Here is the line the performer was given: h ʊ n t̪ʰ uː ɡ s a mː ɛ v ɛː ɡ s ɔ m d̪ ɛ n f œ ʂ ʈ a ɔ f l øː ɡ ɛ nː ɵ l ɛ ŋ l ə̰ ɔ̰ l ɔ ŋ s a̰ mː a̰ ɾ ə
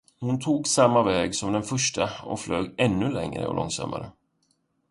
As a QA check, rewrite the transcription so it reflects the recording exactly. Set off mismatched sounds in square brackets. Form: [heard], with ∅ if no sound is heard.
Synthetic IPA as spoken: h ʊ n t̪ʰ uː ɡ s a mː [a] v ɛː ɡ s ɔ m d̪ ɛ n f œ ʂ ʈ a ɔ f l øː ɡ ɛ nː ɵ l ɛ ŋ [ɾ] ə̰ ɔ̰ l ɔ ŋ s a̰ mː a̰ ɾ ə